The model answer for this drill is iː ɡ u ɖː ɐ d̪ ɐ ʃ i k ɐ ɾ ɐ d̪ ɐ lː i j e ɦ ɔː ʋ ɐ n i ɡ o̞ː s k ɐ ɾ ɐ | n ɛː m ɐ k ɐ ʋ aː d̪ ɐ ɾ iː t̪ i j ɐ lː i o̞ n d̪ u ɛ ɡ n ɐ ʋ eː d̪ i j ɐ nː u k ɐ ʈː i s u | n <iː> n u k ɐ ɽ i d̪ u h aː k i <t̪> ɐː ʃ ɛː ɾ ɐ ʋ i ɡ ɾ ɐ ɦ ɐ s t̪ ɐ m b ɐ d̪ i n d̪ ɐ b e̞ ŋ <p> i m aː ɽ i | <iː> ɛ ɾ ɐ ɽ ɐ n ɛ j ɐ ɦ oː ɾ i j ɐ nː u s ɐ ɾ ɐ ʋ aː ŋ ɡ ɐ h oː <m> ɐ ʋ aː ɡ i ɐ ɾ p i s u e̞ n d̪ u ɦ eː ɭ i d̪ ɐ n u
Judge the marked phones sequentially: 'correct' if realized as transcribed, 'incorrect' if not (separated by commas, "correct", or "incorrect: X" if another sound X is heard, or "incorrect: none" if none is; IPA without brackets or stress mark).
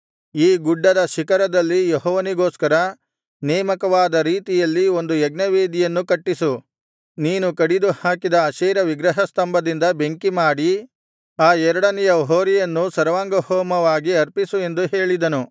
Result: correct, incorrect: d̪, incorrect: k, incorrect: aː, correct